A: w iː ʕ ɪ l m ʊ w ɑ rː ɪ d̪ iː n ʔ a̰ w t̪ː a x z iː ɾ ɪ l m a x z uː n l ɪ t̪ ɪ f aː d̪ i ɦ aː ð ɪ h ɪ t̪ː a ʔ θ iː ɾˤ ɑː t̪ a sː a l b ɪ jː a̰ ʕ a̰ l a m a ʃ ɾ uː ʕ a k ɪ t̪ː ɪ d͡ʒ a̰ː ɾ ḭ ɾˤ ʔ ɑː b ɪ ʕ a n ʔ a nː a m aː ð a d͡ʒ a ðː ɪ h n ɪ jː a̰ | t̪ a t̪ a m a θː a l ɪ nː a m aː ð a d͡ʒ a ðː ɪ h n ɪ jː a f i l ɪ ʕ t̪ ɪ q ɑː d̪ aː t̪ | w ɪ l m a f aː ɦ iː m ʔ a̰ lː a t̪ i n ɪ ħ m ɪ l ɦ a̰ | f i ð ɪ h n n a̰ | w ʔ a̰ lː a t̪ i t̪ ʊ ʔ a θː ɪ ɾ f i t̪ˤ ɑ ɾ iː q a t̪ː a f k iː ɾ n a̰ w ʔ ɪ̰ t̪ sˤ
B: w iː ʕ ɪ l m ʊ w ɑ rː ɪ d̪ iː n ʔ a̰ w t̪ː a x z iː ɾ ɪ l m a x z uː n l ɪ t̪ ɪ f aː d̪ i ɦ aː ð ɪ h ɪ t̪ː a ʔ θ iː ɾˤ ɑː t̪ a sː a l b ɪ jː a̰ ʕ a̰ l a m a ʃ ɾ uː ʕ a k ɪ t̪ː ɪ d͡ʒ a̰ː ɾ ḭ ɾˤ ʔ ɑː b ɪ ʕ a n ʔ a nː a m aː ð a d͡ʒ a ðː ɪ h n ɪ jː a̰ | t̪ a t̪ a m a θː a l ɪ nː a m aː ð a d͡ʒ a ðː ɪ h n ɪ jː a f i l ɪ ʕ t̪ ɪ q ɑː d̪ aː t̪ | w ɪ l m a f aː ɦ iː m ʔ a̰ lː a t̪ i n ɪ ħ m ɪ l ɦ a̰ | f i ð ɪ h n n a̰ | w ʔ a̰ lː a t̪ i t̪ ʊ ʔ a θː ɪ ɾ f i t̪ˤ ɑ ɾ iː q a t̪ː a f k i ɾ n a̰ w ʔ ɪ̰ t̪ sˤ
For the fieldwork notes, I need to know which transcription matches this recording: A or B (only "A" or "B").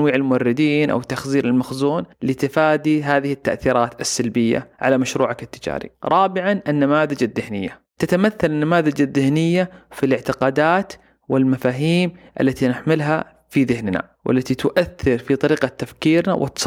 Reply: A